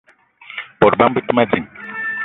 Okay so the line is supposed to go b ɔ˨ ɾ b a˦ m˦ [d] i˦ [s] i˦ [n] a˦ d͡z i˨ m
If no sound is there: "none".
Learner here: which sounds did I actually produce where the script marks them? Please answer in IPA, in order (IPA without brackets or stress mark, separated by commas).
b, t, m